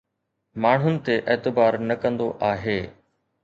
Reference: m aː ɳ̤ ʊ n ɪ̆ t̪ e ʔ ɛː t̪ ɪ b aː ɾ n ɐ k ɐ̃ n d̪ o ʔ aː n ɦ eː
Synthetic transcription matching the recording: m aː ɳ̤ ʊ n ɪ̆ t̪ e ʔ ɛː t̪ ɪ b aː ɾ n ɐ k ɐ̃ n d̪ o ʔ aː ɦ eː